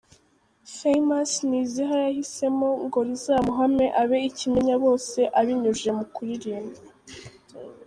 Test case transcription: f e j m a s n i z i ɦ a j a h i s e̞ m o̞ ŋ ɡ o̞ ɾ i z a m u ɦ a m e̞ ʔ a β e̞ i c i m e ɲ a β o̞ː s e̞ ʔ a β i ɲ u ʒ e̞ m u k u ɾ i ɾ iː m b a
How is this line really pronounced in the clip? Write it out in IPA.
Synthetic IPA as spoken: f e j m a s n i z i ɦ a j a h i s e̞ m o̞ ŋ ɡ o̞ ɾ i z a m u ɦ a m e̞ ʔ a β e̞ i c i m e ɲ a β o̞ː s e̞ ʔ a β i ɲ u ʒ e̞ m u k u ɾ i ɾ iː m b a

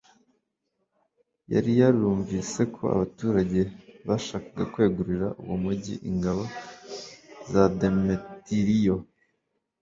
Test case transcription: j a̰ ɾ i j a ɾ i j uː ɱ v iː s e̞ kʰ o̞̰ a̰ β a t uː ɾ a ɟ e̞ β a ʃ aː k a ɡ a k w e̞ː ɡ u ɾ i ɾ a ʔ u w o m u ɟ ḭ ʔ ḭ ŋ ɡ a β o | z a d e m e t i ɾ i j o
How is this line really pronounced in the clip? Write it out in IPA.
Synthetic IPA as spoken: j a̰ ɾ i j a ɾ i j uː ɱ v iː s e̞ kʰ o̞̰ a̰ β a t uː ɾ a ɟ e̞ β a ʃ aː k a ɡ a k w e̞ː ɡ u ɾ i ɾ a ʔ u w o m u ɟ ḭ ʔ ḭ ŋ ɡ a β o | z a d e m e t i ɾ i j o

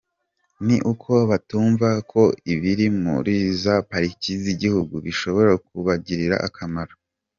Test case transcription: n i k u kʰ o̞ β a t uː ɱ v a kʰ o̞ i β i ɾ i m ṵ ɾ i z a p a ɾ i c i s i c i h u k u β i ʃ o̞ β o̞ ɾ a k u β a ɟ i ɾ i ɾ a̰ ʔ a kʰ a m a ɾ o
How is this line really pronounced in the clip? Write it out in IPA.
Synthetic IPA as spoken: n i ʔ u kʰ o̞ β a t uː ɱ v a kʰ o̞ i β i ɾ i m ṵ ɾ i z a p a ɾ i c i z i ɟ i h u ɡ u β i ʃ o̞ β o̞ ɾ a k u β a ɟ i ɾ i ɾ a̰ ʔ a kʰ a m a ɾ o

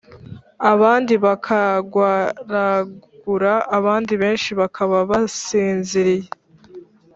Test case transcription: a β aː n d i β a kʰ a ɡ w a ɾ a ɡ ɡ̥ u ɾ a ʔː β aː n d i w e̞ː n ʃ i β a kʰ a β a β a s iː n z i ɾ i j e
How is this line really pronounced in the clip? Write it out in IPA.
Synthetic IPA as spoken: a β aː n d i β a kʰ a ɡ w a ɾ a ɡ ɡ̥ u ɾ a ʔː β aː n d i β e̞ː n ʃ i β a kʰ a β a β a s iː n z i ɾ i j e

